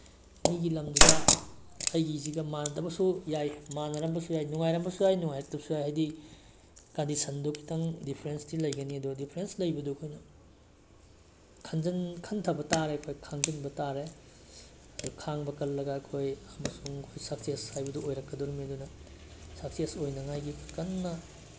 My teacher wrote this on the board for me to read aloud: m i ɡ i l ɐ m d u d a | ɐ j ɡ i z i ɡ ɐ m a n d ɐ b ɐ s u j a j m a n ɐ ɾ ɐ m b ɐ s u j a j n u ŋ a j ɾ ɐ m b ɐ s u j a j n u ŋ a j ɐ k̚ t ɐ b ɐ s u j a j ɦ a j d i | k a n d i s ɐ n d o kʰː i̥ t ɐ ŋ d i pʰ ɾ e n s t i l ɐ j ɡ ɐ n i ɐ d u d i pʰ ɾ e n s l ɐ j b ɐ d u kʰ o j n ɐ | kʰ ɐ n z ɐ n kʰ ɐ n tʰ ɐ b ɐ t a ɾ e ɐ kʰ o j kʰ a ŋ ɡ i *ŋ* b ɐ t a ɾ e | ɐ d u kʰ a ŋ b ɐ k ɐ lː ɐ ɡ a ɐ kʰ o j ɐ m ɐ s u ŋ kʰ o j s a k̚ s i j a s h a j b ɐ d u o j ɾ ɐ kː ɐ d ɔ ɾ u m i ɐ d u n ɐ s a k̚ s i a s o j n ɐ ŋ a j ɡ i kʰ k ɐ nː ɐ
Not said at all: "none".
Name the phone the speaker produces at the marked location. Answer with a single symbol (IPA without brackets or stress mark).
n